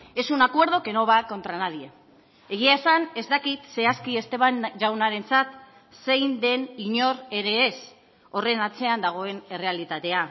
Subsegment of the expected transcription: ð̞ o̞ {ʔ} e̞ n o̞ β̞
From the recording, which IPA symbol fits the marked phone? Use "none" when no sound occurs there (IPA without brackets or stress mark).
k